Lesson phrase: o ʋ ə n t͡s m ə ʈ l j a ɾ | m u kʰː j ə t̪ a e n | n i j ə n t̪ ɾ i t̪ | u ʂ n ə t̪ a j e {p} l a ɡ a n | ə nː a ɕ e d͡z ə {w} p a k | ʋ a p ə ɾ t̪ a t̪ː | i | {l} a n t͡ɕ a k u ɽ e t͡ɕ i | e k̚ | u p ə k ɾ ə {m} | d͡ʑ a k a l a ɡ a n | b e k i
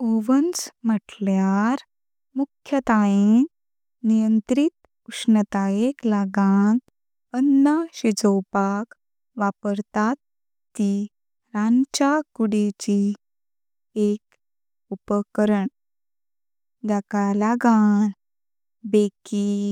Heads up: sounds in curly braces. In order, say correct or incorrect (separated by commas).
incorrect, correct, incorrect, incorrect